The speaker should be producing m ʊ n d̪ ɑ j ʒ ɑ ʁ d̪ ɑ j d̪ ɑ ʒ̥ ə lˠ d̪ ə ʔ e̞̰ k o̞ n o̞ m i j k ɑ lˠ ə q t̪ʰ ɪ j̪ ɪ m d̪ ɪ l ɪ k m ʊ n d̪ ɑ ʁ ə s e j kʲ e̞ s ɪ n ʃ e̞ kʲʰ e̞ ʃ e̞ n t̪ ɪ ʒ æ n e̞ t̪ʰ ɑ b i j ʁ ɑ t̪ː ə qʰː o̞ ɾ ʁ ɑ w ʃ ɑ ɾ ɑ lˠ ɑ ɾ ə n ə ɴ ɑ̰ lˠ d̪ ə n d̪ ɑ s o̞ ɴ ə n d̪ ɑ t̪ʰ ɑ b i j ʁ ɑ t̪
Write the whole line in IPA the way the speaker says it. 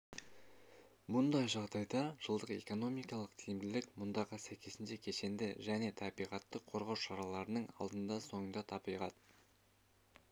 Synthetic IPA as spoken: m ʊ n d̪ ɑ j ʒ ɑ ʁ d̪ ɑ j d̪ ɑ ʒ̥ ə lˠ d̪ ə q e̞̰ k o̞ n o̞ m i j k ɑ lˠ ə q t̪ʰ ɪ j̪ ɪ m d̪ ɪ l ɪ k m ʊ n d̪ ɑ ʁ ə s æ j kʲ e̞ s ɪ n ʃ e̞ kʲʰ e̞ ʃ e̞ n d̪ ɪ ʒ æ n e̞ t̪ʰ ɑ b i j ʁ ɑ t̪ː ə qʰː o̞ ɾ ʁ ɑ w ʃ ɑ ɾ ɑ lˠ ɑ ɾ ə n ə ɴ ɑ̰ lˠ d̪ ə n d̪ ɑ s o̞ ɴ ə n d̪ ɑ t̪ʰ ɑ b i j ʁ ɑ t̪